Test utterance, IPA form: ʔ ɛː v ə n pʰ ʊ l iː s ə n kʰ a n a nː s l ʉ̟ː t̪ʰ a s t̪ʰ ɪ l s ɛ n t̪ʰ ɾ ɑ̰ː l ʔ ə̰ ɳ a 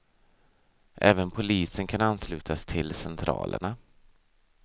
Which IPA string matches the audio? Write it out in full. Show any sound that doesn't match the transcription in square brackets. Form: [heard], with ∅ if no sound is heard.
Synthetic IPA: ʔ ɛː v ə n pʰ ʊ l iː s ə n kʰ a n a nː s l ʉ̟ː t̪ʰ a s t̪ʰ ɪ l s ɛ n t̪ʰ ɾ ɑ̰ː l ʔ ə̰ ɳ a